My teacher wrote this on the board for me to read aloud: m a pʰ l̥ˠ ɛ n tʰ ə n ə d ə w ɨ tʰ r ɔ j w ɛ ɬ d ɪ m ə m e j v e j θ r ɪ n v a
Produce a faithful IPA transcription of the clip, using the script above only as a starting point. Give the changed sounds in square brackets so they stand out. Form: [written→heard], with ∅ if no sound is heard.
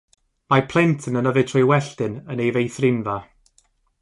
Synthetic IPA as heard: m a pʰ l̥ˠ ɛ n tʰ ə n ə [d→n] ə [w→v] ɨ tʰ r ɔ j w ɛ ɬ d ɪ [m→n] ə [m→n] e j v e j θ r ɪ n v a

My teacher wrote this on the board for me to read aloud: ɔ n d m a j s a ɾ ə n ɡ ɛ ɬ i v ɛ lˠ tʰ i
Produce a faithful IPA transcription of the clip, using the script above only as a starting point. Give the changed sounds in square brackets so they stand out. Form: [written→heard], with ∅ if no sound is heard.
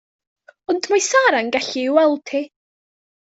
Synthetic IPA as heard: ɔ n d m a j s a ɾ [ə→a] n ɡ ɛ ɬ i [v→w] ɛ lˠ tʰ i

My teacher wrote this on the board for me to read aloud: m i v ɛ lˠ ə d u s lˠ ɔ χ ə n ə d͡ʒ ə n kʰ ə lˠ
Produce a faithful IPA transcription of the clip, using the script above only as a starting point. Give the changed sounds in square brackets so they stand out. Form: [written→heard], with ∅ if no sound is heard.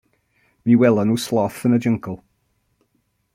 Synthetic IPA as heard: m i [v→w] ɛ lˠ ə [d→n] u s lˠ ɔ [χ→θ] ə n ə d͡ʒ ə [n→ŋ] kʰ ə lˠ

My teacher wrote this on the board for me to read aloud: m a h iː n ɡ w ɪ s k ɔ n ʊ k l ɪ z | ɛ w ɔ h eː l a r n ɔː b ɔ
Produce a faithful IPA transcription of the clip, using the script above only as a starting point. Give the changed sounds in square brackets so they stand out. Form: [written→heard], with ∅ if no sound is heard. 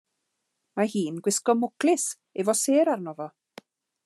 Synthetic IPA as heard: m a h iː n ɡ w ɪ s k ɔ [n→m] ʊ k l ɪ [z→s] | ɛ [w→v] ɔ [h→s] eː [l→ɾ] a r n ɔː [b→v] ɔ

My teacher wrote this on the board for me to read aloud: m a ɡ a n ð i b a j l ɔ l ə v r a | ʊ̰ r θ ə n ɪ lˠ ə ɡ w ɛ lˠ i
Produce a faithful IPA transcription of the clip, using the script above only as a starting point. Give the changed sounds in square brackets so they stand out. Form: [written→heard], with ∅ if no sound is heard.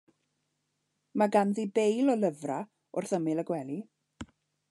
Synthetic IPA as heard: m a ɡ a n ð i b [a→e] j l ɔ l ə v r a | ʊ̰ r θ ə [n→m] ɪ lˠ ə ɡ w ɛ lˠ i

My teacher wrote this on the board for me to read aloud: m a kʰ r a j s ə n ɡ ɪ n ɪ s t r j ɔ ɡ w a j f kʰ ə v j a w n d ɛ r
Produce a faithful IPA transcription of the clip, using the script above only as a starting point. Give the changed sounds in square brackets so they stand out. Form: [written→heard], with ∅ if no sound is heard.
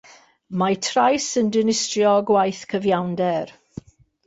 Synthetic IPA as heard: m a [kʰ→tʰ] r a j s ə n [ɡ→d] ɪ n ɪ s t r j ɔ ɡ w a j [f→θ] kʰ ə v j a w n d ɛ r

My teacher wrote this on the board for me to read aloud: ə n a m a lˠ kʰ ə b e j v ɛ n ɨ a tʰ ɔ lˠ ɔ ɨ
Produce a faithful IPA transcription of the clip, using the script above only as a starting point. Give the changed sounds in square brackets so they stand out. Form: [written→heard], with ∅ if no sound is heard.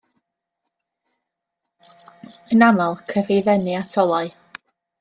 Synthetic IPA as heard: ə n a m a lˠ kʰ ə [b→v] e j [v→ð] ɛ n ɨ a tʰ ɔ lˠ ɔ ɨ

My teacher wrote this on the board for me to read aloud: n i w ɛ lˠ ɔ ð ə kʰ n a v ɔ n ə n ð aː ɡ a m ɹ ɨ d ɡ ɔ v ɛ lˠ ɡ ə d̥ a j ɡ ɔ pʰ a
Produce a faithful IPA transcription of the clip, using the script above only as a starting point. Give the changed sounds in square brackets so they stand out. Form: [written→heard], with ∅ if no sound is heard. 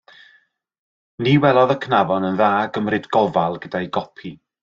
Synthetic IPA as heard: n i w ɛ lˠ ɔ ð ə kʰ n a v ɔ n ə n ð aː ɡ [a→ə] m [ɹ→r] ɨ d ɡ ɔ v [ɛ→a] lˠ ɡ ə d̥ a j ɡ ɔ pʰ [a→i]

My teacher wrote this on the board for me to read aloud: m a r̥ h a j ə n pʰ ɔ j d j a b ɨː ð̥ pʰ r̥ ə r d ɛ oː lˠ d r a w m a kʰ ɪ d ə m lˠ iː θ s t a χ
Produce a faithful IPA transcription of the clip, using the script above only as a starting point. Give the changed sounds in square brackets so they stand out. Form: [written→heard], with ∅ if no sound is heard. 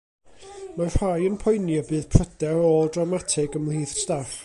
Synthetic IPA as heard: m a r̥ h a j ə n pʰ ɔ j [d→n] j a b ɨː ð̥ pʰ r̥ ə [r→∅] d ɛ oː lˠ d r a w m a [kʰ→tʰ] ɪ [d→ɡ] ə m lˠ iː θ s t a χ

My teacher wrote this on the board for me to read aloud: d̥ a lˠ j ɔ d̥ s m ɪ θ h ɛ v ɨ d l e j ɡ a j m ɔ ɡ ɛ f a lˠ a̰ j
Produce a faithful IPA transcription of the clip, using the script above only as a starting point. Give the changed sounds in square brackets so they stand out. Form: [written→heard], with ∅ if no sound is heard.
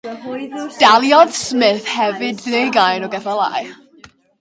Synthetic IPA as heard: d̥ a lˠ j ɔ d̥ s m ɪ θ h ɛ v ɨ d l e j ɡ a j [m→n] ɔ ɡ ɛ [f→θ] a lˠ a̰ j

